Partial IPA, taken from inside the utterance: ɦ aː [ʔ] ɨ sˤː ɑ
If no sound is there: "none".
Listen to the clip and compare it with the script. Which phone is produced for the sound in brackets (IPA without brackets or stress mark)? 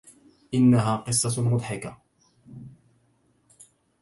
q